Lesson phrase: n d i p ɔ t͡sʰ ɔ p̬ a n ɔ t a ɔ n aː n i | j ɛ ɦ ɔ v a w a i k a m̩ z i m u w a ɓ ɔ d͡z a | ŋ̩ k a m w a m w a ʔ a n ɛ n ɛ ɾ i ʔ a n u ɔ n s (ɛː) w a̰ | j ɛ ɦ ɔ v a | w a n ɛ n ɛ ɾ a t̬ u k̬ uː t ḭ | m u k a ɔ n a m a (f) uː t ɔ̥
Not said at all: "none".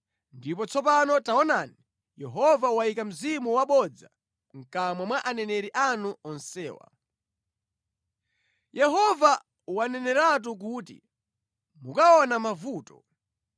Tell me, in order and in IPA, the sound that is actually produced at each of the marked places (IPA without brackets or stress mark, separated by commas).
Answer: ɛː, v